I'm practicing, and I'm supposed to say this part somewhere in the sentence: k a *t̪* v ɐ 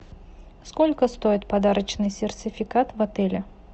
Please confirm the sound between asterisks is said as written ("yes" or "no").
yes